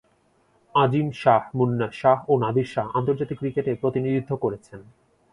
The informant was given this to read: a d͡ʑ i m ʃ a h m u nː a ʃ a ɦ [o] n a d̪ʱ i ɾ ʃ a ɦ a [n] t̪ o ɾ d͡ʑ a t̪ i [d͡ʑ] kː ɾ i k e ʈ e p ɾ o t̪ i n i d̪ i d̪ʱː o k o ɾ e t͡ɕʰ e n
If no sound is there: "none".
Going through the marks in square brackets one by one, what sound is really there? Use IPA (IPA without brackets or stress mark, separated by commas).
o, n, none